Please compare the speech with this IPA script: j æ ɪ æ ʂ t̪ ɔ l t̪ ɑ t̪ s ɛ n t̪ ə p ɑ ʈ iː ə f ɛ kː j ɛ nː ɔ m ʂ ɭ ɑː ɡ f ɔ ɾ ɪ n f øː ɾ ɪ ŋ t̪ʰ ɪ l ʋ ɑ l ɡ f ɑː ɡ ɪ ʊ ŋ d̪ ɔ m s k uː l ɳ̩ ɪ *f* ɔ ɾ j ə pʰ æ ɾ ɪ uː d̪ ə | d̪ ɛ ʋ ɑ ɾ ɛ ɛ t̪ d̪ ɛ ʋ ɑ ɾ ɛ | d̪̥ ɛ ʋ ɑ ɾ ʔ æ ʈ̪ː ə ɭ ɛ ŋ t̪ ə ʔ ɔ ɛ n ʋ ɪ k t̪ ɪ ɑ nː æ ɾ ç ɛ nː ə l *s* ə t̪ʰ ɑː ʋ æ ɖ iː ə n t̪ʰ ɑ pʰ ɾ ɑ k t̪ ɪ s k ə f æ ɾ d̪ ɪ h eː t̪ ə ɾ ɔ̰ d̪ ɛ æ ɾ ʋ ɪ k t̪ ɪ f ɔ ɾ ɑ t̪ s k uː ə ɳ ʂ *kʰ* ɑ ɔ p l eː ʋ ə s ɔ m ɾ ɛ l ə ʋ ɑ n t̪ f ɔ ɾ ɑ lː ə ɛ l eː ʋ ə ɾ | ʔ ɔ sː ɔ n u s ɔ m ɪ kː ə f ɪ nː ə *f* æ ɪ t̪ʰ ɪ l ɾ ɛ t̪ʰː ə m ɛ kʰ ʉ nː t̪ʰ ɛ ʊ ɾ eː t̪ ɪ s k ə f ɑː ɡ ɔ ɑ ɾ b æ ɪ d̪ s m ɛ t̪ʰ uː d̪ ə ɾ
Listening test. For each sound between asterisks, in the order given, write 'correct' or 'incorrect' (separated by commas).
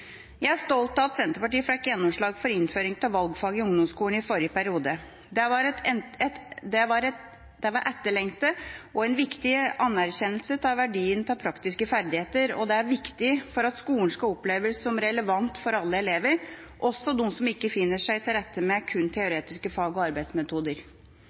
correct, correct, incorrect, incorrect